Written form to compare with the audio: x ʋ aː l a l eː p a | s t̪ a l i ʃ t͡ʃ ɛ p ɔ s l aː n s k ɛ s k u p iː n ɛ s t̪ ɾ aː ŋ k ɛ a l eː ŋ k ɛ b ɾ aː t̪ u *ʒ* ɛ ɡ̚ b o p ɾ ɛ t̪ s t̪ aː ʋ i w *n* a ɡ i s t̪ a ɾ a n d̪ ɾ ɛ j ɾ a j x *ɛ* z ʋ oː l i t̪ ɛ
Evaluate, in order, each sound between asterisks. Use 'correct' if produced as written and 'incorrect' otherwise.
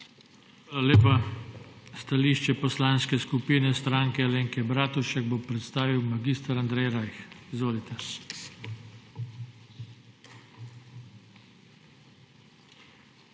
incorrect, incorrect, incorrect

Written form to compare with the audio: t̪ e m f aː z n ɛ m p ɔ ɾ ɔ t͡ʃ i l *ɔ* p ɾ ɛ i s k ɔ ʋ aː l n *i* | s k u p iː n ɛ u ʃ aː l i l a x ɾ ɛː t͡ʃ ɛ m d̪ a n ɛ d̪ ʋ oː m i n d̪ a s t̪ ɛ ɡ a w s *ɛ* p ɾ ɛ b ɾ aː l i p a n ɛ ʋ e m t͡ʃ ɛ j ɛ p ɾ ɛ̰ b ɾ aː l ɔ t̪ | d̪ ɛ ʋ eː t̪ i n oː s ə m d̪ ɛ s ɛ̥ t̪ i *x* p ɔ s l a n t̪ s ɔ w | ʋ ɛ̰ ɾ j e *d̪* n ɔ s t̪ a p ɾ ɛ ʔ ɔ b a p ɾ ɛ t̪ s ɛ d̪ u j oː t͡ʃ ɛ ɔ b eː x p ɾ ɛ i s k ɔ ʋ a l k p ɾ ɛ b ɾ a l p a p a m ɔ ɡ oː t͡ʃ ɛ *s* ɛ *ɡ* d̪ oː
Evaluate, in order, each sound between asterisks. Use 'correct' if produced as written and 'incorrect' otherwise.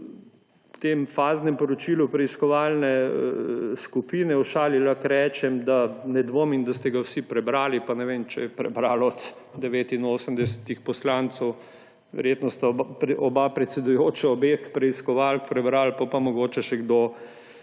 incorrect, incorrect, incorrect, correct, incorrect, incorrect, correct

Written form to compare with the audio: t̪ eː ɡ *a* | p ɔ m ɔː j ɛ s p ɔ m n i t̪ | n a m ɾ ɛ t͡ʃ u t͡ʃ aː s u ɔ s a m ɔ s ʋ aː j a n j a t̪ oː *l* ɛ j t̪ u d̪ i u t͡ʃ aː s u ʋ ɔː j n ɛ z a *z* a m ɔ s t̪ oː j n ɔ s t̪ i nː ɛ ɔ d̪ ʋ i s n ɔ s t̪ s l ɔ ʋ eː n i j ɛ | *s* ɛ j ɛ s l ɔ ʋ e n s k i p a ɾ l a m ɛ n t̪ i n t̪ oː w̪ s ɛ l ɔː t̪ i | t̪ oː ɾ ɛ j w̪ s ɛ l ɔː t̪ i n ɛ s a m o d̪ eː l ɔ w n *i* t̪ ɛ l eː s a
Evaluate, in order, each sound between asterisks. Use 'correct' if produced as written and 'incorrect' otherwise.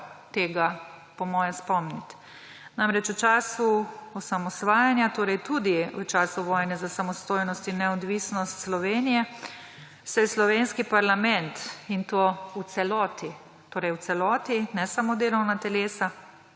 correct, incorrect, incorrect, correct, incorrect

